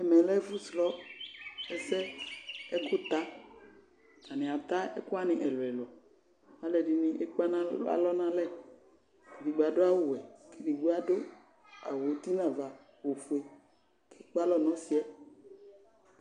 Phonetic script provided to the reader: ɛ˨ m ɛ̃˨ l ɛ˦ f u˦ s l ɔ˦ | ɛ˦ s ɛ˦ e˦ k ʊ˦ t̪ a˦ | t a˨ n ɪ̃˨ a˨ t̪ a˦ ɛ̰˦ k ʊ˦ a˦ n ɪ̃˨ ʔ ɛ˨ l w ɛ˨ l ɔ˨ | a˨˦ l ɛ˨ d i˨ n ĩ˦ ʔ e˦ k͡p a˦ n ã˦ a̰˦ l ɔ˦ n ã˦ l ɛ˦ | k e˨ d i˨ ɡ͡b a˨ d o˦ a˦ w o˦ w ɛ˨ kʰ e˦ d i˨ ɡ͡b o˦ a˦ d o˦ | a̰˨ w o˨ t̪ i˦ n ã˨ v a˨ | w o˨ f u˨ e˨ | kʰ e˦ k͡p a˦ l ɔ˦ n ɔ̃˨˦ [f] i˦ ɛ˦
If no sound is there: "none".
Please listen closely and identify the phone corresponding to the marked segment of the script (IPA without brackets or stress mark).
s